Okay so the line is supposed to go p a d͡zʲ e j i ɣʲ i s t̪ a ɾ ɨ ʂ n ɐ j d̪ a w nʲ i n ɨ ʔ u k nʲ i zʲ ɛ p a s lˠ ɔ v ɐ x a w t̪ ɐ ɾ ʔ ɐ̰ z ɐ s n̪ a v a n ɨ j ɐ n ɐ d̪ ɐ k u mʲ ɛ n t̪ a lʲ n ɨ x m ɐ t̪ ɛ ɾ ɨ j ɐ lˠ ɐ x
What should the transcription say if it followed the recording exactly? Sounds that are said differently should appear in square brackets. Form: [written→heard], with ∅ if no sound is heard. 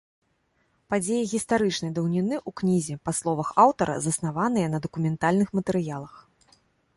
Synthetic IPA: p a d͡zʲ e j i ɣʲ i s t̪ a ɾ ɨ [ʂ→t͡ʂ] n ɐ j d̪ [a→ɐ] w nʲ i n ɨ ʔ u k nʲ i zʲ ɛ p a s lˠ ɔ v ɐ x a w t̪ ɐ ɾ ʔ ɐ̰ z ɐ s n̪ a v a n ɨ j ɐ n ɐ d̪ ɐ k u mʲ ɛ n t̪ a lʲ n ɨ x m ɐ t̪ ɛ ɾ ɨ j [ɐ→a] lˠ ɐ x